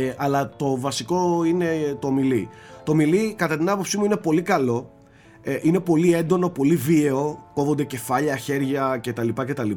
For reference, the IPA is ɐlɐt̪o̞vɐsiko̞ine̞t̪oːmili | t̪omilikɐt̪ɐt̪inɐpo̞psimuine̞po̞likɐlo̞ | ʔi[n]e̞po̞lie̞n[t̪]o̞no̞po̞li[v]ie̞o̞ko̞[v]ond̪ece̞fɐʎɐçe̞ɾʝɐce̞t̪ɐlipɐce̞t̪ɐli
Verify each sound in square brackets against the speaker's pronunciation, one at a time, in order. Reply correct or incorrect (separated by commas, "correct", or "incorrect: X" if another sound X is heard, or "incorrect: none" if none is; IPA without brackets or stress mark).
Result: correct, incorrect: d̪, correct, correct